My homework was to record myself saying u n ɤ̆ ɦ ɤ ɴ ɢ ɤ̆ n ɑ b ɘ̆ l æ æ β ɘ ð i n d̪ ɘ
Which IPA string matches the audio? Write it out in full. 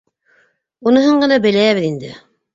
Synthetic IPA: u n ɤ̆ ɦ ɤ ɴ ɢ ɤ̆ n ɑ b ɘ̆ l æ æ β ɘ ð i n d̪ ɘ